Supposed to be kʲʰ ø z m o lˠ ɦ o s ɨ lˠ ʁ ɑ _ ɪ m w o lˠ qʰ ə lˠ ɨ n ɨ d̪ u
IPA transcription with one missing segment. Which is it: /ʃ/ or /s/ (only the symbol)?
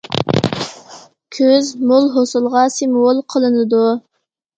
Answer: s